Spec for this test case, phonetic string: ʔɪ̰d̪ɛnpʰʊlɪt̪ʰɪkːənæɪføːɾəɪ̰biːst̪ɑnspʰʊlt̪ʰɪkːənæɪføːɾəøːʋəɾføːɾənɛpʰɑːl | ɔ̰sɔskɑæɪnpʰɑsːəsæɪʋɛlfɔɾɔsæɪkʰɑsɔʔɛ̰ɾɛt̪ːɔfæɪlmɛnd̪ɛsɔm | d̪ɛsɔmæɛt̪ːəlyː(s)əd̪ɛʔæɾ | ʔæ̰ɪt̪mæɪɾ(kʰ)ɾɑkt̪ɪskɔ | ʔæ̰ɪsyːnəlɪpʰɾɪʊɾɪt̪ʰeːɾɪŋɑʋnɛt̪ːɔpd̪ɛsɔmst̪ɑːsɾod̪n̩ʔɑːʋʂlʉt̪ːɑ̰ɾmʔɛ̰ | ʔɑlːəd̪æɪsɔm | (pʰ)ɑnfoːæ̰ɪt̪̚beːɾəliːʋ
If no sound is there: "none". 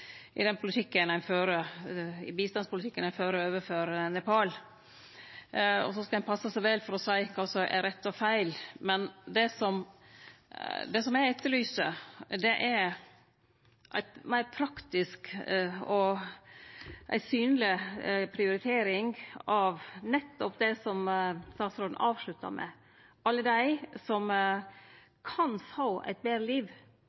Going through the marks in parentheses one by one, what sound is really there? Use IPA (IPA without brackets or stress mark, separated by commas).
s, pʰ, kʰ